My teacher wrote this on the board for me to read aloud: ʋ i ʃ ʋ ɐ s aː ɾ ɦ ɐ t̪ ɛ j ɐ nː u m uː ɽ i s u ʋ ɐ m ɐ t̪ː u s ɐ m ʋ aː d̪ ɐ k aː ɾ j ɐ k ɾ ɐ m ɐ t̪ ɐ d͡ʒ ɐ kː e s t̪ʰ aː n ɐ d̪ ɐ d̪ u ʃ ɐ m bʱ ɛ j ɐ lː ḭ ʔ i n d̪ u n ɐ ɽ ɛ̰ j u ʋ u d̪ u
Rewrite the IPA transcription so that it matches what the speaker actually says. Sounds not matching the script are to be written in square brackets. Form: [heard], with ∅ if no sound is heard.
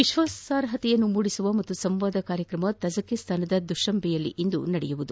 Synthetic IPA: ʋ i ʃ ʋ ɐ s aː ɾ ɦ ɐ t̪ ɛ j ɐ nː u m uː ɽ i s u ʋ ɐ m ɐ t̪ː u s ɐ m ʋ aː d̪ ɐ k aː ɾ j ɐ k ɾ ɐ m ɐ t̪ ɐ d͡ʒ ɐ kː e s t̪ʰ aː n ɐ d̪ ɐ d̪ u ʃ ɐ m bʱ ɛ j ɐ lː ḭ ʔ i n d̪ u n ɐ ɽ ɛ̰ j u ʋ u d̪ u